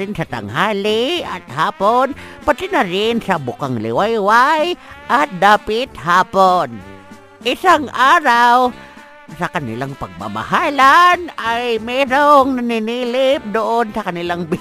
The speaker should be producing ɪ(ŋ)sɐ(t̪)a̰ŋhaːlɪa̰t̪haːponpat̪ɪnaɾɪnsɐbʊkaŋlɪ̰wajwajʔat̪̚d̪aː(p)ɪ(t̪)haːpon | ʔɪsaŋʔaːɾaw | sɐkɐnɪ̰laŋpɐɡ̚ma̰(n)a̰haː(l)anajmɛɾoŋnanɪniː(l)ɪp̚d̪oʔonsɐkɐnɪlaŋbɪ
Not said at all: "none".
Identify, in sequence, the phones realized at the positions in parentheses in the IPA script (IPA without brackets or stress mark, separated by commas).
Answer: n, t̪, p, t̪, m, l, l